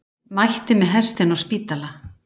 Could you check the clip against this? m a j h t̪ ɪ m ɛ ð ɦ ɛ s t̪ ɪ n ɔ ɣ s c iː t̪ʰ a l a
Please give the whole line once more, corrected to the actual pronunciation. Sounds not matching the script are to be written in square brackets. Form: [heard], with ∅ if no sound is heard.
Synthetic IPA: m a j h t̪ ɪ m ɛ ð ɦ ɛ s t̪ ɪ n ɔ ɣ s [p] iː [t̪] a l a

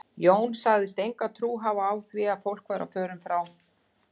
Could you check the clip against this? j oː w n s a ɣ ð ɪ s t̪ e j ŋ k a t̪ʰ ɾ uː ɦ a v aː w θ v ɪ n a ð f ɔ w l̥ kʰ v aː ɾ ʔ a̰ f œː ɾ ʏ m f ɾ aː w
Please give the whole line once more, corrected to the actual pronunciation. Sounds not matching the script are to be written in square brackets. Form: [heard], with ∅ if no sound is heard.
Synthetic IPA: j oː w n s a ɣ ð ɪ s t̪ e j ŋ k a t̪ʰ ɾ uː ɦ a v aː w θ v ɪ [∅] a ð f [o] w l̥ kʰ v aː ɾ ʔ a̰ f œː ɾ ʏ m f ɾ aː w

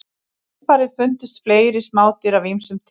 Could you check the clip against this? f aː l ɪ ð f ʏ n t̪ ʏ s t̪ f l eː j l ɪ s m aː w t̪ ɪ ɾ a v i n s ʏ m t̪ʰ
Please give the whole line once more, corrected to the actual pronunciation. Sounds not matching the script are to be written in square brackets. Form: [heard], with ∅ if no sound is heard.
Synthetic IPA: f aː [ɾ] ɪ ð f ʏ n t̪ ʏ s t̪ f l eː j [ɾ] ɪ s m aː w t̪ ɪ ɾ a v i [m] s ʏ m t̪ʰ

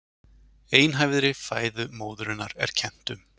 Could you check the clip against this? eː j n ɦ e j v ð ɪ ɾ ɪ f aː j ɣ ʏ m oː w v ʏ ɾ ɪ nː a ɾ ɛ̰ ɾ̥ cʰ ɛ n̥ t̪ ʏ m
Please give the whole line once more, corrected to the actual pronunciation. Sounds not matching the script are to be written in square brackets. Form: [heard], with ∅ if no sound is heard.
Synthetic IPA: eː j n ɦ [a] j v ð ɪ ɾ ɪ f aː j [ð] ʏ m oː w [ð] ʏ ɾ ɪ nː a ɾ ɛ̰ ɾ̥ cʰ ɛ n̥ t̪ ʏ m

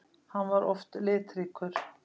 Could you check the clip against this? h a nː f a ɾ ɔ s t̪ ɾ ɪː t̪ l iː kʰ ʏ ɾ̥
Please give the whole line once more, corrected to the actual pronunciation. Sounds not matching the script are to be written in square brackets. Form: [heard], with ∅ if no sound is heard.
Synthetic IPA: h a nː [v] a ɾ ɔ [f] t̪ [l] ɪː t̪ [ɾ] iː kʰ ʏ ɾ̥

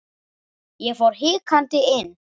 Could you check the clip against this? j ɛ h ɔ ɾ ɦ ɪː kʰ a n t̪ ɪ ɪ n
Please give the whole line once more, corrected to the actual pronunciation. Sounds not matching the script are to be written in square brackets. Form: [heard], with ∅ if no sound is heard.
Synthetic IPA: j ɛ [f] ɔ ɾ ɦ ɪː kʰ a n t̪ ɪ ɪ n

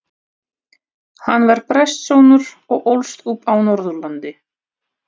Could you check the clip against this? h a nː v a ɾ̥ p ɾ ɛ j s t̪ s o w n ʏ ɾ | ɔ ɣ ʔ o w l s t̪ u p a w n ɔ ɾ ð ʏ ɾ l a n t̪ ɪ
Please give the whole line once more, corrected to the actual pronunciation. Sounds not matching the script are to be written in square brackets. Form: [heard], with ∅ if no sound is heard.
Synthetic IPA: h a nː v a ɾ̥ p ɾ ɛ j s t̪ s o w n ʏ ɾ | ɔ ɣ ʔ o w l s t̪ u p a w n ɔ ɾ ð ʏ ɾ l a n t̪ ɪ

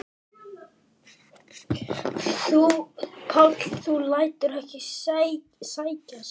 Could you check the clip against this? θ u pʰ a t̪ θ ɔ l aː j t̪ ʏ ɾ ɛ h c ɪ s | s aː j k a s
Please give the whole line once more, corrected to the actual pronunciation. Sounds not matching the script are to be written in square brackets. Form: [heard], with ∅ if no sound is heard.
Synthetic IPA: θ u pʰ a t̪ θ [u] l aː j t̪ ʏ ɾ ɛ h c ɪ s | s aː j [c] a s

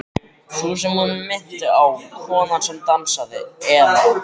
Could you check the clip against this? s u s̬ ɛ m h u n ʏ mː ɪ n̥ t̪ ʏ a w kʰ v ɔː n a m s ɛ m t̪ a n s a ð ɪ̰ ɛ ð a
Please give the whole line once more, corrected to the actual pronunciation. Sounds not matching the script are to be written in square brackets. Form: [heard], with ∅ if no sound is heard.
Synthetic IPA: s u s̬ ɛ m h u n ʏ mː ɪ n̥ t̪ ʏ a w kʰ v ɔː n a [n] s ɛ m t̪ a n s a ð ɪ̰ ɛ ð a

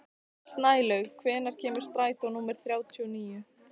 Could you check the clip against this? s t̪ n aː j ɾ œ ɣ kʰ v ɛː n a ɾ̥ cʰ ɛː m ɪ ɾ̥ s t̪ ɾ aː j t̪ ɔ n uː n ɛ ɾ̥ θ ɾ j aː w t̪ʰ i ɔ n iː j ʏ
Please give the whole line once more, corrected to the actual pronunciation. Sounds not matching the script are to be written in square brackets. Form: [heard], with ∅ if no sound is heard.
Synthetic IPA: s t̪ n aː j [l] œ ɣ kʰ v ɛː n a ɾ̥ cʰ ɛː m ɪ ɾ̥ s t̪ ɾ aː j t̪ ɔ n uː [m] ɛ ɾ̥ θ ɾ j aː w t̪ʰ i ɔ n iː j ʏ

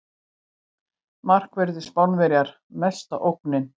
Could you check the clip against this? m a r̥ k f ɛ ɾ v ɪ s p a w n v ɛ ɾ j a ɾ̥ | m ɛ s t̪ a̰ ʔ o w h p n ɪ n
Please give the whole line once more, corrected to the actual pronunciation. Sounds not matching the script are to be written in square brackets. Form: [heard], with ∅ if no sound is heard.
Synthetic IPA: m a r̥ k [v] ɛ ɾ [ð] ɪ s p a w n v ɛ ɾ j a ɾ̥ | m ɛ s t̪ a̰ ʔ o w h [k] n ɪ n

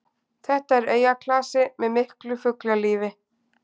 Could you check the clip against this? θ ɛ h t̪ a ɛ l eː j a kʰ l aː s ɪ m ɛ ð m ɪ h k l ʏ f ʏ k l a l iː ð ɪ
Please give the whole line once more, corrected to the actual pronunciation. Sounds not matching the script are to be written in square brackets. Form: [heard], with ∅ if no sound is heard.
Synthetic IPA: θ ɛ h t̪ a ɛ [ɾ] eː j a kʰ l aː s ɪ m ɛ ð m ɪ h k l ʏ f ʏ k l a l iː [v] ɪ

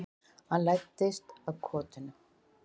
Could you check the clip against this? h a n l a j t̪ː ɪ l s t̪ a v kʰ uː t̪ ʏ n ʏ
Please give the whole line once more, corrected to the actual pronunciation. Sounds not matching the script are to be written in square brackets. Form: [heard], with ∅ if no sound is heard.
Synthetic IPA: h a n l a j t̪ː ɪ [∅] s t̪ a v kʰ [ɔː] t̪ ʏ n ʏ

